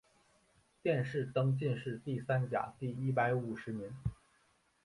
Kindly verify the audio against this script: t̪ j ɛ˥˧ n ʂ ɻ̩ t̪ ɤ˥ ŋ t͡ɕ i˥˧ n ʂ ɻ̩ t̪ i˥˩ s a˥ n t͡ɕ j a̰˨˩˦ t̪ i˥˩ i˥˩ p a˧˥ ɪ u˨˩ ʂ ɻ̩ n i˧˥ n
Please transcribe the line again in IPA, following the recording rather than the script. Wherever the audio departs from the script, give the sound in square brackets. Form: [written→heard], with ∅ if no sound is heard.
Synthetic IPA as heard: t̪ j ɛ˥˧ n ʂ ɻ̩ t̪ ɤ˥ ŋ t͡ɕ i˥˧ n ʂ ɻ̩ t̪ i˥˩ s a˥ n t͡ɕ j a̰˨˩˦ t̪ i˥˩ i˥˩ p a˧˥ ɪ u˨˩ ʂ ɻ̩ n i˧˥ n